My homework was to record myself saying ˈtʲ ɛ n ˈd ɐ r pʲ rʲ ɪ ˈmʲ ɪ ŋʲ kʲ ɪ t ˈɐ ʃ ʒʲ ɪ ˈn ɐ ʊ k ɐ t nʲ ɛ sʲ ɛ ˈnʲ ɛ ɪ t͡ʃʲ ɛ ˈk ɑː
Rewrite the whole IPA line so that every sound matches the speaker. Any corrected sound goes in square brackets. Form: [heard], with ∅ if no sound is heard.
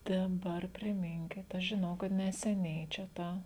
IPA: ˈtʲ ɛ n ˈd ɐ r pʲ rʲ ɪ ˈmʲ ɪ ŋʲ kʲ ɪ t ˈɐ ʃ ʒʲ ɪ ˈn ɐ ʊ k ɐ t nʲ ɛ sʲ ɛ ˈnʲ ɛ ɪ t͡ʃʲ ɛ [ˈt] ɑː

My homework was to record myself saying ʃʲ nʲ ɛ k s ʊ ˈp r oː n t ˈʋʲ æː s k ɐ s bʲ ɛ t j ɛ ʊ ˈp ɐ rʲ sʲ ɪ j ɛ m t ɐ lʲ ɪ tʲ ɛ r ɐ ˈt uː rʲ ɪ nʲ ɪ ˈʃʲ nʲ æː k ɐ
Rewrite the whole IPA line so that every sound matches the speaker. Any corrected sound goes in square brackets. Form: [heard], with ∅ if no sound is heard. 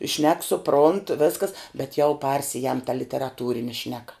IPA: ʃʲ nʲ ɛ k s ʊ ˈp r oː n t ˈʋʲ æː s k ɐ s bʲ ɛ t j ɛ ʊ ˈp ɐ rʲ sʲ ɪ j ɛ m t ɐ lʲ ɪ tʲ ɛ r ɐ ˈt uː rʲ ɪ nʲ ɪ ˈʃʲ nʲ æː k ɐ

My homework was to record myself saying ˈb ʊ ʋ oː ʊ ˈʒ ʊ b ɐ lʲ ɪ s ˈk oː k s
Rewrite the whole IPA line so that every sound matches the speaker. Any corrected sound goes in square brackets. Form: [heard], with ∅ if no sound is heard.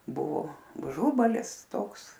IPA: ˈb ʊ ʋ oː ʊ ˈʒ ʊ b ɐ lʲ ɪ s [ˈt] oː k s

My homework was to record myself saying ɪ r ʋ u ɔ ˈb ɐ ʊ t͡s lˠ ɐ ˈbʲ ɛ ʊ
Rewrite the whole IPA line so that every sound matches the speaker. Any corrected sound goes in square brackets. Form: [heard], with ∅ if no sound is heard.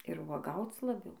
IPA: ɪ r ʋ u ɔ [ˈɡ] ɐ ʊ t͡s lˠ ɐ ˈbʲ ɛ ʊ

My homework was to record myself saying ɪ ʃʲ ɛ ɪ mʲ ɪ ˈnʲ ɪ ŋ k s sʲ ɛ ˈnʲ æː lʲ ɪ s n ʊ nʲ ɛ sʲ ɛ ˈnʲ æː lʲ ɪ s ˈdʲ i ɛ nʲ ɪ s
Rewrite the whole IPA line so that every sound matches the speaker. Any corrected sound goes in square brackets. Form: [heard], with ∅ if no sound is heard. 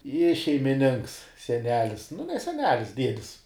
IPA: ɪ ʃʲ ɛ ɪ mʲ ɪ ˈnʲ ɪ ŋ k s sʲ ɛ ˈnʲ æː lʲ ɪ s n ʊ nʲ ɛ sʲ ɛ ˈnʲ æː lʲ ɪ s ˈdʲ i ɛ [dʲ] ɪ s

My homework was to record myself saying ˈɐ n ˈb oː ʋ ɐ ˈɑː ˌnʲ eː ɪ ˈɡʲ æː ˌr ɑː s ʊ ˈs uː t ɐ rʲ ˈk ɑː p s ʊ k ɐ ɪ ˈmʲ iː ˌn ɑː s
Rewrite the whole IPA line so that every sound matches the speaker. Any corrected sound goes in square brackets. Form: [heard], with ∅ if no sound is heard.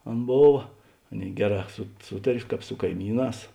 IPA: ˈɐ n ˈb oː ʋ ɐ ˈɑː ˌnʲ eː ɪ ˈɡʲ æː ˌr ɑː s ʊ ˈs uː t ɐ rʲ ˈk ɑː p s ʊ k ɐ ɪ ˈmʲ iː ˌn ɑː s

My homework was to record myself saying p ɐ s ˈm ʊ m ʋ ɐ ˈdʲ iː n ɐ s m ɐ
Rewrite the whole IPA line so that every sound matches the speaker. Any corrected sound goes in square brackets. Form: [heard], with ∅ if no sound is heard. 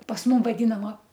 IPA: p ɐ s ˈm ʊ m ʋ ɐ ˈdʲ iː n ɐ [∅] m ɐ

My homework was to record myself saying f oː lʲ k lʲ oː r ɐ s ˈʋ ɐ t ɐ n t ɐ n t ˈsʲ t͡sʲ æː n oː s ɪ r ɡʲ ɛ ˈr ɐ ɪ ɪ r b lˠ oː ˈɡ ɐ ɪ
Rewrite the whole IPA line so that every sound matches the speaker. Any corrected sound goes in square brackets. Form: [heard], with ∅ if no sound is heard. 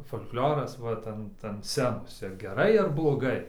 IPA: f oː lʲ k lʲ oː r ɐ s ˈʋ ɐ t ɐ n t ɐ n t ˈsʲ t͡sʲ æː n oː s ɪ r ɡʲ ɛ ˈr ɐ ɪ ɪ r b lˠ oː ˈɡ ɐ ɪ

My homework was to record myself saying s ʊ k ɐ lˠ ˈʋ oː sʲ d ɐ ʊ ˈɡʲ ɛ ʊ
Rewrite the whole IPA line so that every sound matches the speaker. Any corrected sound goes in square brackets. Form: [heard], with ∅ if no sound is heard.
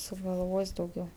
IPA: s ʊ [ɡ] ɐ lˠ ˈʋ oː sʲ d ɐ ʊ ˈɡʲ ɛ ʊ

